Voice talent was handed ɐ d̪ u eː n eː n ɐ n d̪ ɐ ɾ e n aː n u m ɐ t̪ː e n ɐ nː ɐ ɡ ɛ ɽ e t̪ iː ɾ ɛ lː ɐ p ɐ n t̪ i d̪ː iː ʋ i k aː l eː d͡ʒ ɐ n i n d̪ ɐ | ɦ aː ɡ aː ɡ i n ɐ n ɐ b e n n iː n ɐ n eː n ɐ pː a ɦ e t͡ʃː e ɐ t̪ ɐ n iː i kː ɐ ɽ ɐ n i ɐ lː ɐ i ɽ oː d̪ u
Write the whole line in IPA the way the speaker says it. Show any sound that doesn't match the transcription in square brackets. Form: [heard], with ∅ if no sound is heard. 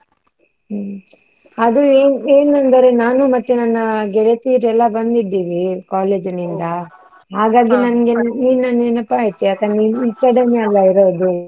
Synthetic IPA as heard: ɐ d̪ u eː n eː n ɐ n d̪ ɐ ɾ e n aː n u m ɐ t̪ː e n ɐ nː ɐ ɡ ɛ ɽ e t̪ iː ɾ ɛ lː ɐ [b] ɐ n [d̪] i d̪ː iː ʋ i k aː l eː d͡ʒ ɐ n i n d̪ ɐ | ɦ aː ɡ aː ɡ i n ɐ n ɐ [ɡ] e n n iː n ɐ n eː n ɐ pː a ɦ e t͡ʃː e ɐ t̪ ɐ n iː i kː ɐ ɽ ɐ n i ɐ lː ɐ i [ɾ] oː d̪ u